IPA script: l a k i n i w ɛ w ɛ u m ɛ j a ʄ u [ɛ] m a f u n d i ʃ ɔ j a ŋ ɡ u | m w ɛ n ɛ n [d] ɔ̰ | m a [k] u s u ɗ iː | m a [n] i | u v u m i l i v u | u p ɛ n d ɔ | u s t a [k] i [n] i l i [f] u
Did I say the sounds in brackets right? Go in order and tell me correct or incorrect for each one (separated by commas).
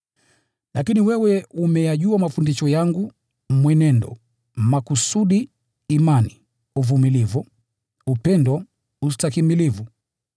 incorrect, correct, correct, correct, correct, incorrect, incorrect